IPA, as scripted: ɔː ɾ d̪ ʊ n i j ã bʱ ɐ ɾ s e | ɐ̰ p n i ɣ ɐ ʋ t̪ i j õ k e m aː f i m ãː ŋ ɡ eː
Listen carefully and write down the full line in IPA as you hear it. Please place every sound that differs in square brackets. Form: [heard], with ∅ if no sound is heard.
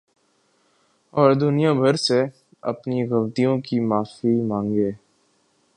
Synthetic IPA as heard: ɔː ɾ d̪ ʊ n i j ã bʱ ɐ ɾ s e | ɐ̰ p n i ɣ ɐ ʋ t̪ i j õ k [i] m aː f i m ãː ŋ ɡ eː